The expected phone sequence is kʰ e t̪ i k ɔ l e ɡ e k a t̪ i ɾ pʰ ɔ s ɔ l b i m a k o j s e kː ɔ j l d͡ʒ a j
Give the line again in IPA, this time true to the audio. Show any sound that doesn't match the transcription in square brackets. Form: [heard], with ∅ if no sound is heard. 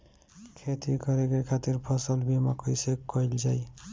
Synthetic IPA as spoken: kʰ e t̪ i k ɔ [ɾ] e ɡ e [kʰ] a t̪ i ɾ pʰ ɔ s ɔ l b i m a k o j s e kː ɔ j l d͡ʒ a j